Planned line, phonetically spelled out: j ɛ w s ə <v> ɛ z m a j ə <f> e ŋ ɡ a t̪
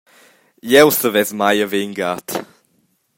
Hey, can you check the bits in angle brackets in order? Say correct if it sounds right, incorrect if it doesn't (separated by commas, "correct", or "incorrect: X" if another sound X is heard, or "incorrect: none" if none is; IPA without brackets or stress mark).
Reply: correct, incorrect: v